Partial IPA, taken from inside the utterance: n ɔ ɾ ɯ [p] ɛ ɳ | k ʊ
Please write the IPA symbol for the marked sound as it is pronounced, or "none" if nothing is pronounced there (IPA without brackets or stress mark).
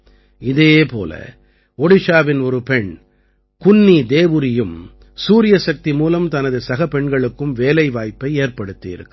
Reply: p